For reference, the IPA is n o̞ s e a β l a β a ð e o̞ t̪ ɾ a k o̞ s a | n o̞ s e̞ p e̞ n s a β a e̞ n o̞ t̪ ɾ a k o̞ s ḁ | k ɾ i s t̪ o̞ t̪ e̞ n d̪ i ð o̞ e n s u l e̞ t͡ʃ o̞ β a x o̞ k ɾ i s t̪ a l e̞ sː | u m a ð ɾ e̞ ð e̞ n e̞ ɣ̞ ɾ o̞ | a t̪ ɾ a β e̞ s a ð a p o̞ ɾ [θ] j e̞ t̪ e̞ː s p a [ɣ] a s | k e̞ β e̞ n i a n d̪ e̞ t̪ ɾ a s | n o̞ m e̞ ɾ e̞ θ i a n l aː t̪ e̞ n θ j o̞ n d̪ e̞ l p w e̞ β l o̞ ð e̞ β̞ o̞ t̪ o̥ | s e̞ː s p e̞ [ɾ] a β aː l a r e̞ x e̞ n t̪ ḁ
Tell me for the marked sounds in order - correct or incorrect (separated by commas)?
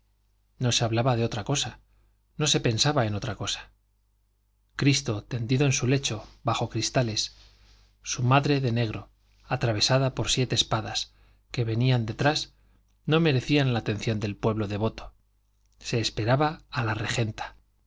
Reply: incorrect, incorrect, correct